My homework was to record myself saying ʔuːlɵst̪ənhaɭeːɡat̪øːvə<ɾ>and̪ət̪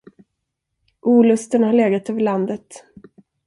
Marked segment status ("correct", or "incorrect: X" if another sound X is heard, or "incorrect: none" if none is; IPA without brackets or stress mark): incorrect: ɭ